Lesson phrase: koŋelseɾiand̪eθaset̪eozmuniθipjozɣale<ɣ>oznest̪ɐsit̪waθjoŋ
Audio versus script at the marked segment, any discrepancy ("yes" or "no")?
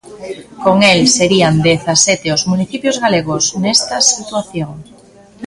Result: no